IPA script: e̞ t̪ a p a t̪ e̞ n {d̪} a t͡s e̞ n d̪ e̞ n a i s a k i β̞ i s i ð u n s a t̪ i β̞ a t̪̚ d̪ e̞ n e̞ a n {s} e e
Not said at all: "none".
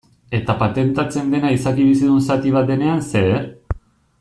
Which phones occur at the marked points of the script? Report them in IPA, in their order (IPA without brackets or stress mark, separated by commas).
t̪, s